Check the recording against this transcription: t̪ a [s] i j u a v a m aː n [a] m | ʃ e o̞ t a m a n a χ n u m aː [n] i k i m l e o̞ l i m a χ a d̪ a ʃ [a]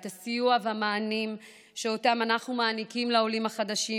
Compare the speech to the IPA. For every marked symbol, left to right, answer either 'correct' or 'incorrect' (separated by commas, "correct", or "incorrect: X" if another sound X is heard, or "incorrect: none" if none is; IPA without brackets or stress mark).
correct, incorrect: i, correct, incorrect: i